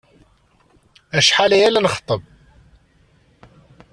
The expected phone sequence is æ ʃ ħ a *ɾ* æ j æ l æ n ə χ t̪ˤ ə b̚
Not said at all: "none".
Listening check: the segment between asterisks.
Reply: l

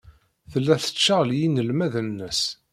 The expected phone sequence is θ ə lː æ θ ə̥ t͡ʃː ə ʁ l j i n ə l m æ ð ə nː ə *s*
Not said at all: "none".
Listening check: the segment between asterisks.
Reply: s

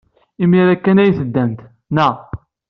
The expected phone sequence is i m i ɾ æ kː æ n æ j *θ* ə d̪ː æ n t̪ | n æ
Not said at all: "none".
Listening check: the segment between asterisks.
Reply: θ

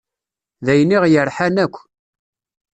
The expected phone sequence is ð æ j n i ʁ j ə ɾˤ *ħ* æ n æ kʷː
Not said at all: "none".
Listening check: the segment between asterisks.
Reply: ħ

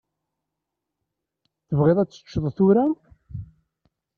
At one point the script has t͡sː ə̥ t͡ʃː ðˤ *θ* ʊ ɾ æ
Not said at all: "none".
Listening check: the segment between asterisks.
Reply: θ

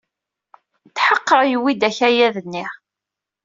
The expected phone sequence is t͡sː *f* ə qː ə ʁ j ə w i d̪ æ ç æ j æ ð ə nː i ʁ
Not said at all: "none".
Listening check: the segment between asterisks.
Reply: ħ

